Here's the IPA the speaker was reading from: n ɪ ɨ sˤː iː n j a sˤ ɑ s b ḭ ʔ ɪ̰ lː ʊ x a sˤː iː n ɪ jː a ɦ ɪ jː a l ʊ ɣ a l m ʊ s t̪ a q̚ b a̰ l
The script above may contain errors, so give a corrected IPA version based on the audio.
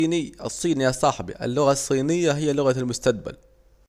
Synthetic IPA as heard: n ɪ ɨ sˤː iː n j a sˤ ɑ ħ b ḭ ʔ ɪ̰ lː ʊ ɣ a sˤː iː n ɪ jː a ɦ ɪ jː a l ʊ ɣ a l m ʊ s t̪ a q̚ b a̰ l